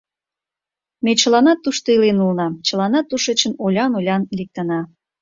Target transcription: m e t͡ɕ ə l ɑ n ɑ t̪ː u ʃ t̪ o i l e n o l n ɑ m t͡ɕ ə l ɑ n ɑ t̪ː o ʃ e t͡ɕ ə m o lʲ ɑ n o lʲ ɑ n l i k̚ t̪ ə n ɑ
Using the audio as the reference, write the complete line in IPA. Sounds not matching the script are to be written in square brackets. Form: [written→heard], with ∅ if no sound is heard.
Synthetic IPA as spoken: m e t͡ɕ ə l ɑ n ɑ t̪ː u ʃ t̪ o i l e n [o→u] l n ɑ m t͡ɕ ə l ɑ n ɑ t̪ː [o→u] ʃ e t͡ɕ ə [m→n] o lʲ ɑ n o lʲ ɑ n l i k̚ t̪ ə n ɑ